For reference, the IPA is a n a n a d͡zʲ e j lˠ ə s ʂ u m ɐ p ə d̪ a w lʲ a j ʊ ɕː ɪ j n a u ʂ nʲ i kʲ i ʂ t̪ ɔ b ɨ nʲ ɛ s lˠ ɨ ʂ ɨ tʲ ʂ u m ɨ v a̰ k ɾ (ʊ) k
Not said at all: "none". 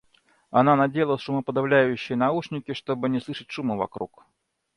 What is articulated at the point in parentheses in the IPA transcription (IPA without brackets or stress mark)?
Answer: u